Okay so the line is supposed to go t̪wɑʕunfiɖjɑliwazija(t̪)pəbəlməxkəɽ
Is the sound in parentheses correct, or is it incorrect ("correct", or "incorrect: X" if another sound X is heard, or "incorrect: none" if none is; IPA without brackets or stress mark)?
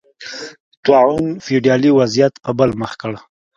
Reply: correct